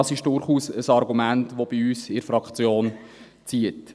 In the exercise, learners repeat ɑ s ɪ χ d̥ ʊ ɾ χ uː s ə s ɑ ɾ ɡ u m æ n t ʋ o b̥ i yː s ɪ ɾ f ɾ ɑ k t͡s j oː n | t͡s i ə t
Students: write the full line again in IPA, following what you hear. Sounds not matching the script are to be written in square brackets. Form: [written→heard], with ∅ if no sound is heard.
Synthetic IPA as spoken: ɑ s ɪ [χ→ʃ] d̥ ʊ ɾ χ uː s ə s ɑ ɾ ɡ u m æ n t ʋ o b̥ i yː s ɪ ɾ f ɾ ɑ k t͡s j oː n | t͡s i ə t